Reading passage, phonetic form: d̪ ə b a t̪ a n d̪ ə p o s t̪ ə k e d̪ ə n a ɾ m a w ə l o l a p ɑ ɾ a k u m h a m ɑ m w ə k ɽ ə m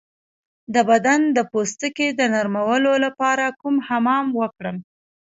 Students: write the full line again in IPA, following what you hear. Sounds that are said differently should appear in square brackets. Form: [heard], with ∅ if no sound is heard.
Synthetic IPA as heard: d̪ ə b a [d̪] a n d̪ ə p o s t̪ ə k e d̪ ə n a ɾ m a w ə l o l a p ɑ ɾ a k u m h a m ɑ m w ə k ɽ ə m